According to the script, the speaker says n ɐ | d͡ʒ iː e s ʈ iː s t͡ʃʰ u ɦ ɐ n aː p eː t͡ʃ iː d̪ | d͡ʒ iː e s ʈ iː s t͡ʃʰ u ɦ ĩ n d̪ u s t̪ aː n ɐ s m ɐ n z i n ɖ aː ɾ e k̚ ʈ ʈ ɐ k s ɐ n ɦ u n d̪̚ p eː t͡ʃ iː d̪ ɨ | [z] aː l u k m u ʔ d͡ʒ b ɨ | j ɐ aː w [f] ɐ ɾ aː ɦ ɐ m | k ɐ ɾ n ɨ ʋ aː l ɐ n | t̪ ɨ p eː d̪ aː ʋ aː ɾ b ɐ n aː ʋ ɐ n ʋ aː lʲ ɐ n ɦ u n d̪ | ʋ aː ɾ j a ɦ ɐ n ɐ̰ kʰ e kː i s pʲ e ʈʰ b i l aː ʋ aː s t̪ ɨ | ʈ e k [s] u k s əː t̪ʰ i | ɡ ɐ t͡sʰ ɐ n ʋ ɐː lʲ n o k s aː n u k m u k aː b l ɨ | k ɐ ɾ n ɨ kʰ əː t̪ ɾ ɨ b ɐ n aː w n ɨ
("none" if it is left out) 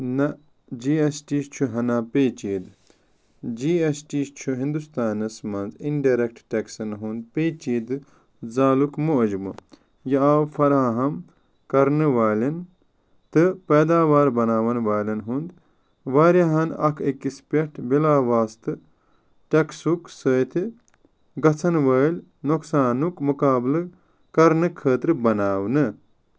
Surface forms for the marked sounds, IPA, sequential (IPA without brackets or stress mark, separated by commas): z, f, s